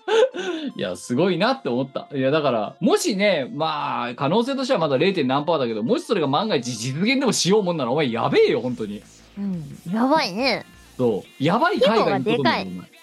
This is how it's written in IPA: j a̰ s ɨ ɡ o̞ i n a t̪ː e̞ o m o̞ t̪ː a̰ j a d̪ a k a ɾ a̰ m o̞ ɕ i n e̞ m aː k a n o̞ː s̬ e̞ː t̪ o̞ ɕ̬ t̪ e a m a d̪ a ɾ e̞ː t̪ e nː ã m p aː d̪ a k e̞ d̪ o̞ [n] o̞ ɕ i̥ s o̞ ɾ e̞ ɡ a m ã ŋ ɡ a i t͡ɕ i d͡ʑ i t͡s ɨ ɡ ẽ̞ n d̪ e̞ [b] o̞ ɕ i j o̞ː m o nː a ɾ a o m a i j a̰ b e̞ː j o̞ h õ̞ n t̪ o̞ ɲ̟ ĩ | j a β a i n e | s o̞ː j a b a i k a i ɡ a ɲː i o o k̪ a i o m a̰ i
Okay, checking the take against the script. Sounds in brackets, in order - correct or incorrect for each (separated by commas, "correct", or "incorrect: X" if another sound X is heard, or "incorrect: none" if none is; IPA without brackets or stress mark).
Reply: incorrect: m, incorrect: m